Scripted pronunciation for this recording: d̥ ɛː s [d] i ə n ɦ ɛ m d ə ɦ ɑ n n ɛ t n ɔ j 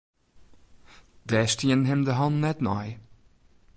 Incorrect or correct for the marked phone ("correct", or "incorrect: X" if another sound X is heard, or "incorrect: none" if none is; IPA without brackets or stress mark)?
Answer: incorrect: t